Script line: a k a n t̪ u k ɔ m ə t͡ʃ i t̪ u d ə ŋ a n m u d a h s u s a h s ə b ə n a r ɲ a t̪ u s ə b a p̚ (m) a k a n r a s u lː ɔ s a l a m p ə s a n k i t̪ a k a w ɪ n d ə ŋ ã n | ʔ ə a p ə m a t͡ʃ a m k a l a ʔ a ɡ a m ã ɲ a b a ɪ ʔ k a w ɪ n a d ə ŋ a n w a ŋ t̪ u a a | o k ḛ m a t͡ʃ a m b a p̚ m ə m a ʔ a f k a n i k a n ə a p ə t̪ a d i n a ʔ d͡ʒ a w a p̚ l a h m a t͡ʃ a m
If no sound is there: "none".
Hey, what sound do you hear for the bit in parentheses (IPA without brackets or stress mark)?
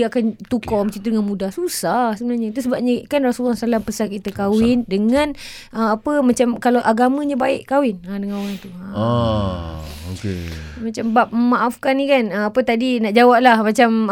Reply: ɲ